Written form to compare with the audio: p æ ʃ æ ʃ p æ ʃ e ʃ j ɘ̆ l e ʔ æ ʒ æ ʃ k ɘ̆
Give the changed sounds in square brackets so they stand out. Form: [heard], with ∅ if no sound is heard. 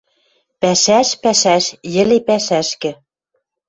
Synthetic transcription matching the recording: p æ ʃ æ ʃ p æ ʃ [æ] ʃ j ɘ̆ l e [p] æ [ʃ] æ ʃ k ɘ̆